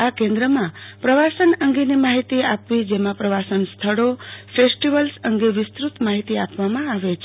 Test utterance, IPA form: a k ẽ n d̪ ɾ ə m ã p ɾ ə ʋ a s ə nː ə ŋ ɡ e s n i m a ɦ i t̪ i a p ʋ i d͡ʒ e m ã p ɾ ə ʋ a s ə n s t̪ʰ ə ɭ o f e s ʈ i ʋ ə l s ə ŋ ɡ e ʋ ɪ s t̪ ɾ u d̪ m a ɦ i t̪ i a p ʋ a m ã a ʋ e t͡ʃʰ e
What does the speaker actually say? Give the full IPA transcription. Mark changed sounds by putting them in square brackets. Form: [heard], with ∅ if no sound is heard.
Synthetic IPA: a k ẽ n d̪ ɾ ə m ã p ɾ ə ʋ a s ə [n] ə ŋ ɡ e [∅] n i m a ɦ i t̪ i a p ʋ i d͡ʒ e m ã p ɾ ə ʋ a s ə n s t̪ʰ ə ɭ o f e s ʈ i ʋ ə l s ə ŋ ɡ e ʋ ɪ s t̪ ɾ u [t̪] m a ɦ i t̪ i a p ʋ a m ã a ʋ e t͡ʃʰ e